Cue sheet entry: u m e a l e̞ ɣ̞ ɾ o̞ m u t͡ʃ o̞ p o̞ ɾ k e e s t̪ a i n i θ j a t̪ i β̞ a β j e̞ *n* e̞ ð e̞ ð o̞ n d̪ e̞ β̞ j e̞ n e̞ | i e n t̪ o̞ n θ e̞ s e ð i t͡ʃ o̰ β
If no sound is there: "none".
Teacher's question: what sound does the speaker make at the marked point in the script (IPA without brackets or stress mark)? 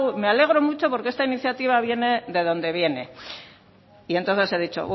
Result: n